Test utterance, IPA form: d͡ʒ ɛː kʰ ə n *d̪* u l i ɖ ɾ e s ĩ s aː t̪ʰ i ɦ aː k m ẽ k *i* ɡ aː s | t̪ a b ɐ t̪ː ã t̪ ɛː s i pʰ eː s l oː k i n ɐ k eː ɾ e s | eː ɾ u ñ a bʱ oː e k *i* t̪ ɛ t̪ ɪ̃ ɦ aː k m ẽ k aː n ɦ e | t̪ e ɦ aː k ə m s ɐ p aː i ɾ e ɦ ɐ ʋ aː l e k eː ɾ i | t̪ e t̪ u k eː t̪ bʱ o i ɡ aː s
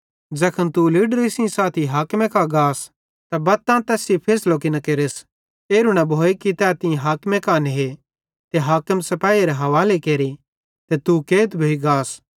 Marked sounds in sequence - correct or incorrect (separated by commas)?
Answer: incorrect, incorrect, correct